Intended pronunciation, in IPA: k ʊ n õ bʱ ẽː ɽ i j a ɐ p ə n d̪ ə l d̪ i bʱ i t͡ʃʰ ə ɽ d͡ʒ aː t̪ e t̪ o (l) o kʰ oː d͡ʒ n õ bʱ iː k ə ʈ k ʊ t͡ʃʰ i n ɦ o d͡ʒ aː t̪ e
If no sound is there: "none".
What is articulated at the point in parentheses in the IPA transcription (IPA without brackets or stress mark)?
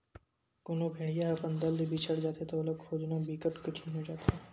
l